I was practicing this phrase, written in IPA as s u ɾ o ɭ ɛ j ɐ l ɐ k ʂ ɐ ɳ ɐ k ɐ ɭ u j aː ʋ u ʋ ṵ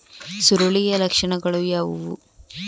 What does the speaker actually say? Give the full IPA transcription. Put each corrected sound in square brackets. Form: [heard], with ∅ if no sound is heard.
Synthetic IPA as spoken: s u ɾ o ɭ [i] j ɐ l ɐ k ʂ ɐ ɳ ɐ [ɡ] ɐ ɭ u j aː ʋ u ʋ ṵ